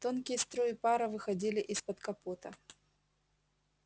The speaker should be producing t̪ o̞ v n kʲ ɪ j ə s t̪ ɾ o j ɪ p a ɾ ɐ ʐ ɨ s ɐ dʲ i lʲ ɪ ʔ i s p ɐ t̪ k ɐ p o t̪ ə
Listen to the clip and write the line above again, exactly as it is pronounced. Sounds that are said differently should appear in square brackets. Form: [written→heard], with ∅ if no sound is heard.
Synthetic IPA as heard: t̪ o̞ [v→∅] n kʲ ɪ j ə s t̪ ɾ o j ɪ p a ɾ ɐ [ʐ→v] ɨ [s→x] ɐ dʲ i lʲ ɪ ʔ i s p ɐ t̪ k ɐ p o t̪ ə